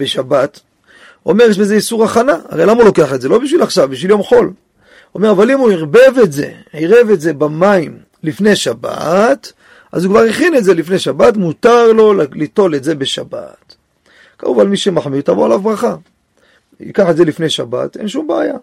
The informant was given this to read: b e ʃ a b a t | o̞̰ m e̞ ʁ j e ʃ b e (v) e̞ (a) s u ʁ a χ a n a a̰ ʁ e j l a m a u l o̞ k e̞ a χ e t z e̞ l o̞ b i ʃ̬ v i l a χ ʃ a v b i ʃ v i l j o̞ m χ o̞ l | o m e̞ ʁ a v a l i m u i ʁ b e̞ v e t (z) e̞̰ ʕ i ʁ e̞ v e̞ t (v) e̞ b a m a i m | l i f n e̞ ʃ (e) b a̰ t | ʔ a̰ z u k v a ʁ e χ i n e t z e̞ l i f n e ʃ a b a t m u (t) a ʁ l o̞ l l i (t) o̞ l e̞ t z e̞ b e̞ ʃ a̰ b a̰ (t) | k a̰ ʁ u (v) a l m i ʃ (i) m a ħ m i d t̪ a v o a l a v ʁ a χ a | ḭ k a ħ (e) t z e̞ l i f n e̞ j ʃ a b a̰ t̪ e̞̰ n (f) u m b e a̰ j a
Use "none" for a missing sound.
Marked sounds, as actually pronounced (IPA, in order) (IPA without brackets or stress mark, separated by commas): z, i, z, z, a, t, t, t, v, e, e, ʃ